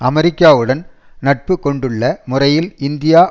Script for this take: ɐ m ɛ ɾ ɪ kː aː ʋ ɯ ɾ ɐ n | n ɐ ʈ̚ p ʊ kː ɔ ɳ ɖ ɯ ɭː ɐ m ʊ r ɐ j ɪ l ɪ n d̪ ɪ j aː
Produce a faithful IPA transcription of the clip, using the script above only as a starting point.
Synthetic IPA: ɐ m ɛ ɾ ɪ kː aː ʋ ɯ ɽ ɐ n | n ɐ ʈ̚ p ɯ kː ɔ ɳ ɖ ɯ ɭː ɐ m ʊ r ɐ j ɪ l ɪ n d̪ ɪ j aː